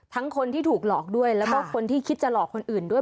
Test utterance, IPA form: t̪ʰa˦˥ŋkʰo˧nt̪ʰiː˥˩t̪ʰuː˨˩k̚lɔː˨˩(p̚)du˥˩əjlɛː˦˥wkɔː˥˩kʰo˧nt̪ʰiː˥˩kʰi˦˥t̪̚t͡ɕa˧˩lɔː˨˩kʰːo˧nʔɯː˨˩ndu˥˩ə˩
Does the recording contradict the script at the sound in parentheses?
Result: yes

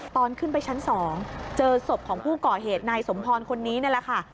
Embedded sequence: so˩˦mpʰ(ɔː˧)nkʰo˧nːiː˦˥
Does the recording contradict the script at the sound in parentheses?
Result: no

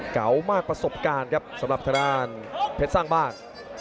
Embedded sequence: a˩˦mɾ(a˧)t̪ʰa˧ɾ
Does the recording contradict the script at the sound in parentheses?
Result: yes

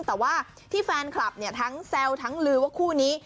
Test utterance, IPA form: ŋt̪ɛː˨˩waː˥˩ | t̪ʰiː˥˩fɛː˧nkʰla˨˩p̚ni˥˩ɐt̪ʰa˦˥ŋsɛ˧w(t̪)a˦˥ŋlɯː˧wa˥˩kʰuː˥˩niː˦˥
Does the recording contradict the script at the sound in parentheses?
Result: yes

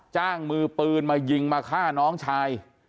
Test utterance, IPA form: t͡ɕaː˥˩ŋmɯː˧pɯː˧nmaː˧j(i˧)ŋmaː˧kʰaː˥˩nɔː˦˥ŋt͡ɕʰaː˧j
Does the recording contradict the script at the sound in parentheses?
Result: no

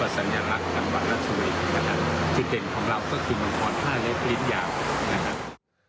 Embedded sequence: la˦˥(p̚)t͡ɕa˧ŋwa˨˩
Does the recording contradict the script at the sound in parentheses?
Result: yes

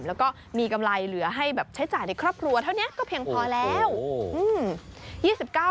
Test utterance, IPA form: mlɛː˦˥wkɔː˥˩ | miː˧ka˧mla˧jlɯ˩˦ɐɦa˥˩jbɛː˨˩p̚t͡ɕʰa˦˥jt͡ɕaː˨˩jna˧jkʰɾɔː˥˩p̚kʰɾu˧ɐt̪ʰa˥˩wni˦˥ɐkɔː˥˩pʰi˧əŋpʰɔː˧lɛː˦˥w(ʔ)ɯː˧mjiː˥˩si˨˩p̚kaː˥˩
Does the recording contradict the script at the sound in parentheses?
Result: no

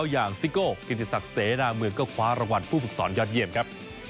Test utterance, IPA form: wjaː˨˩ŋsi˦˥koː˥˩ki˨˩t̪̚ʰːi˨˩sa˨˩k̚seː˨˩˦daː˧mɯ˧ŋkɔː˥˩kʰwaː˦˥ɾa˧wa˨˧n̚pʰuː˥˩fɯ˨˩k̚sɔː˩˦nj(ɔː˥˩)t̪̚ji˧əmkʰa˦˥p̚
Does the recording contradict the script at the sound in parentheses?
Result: yes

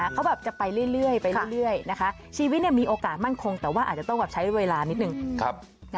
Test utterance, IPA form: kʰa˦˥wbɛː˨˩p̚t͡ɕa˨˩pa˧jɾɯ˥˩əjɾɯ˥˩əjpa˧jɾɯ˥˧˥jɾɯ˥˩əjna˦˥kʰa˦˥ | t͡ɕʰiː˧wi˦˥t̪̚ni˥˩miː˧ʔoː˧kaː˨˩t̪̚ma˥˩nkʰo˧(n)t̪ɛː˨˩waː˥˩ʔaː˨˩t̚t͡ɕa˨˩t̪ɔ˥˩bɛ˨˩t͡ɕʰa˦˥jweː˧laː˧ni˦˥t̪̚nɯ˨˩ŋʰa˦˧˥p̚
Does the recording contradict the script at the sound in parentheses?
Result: yes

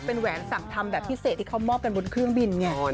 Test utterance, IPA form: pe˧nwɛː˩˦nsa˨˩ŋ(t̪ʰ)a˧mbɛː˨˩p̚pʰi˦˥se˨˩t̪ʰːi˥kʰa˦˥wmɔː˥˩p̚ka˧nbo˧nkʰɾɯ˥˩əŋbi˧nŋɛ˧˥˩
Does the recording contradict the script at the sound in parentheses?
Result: no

